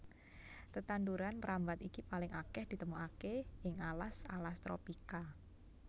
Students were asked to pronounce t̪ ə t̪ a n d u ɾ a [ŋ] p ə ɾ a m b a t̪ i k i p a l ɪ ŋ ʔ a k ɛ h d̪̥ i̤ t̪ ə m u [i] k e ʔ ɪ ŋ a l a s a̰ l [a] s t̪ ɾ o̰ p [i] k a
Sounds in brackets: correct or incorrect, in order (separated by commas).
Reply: incorrect, incorrect, correct, correct